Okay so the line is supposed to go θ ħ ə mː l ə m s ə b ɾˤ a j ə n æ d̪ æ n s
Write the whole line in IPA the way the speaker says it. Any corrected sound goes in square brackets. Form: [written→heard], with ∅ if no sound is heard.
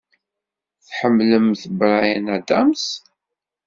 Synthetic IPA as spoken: θ ħ ə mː l ə m [s→θ] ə b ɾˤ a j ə n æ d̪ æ [n→m] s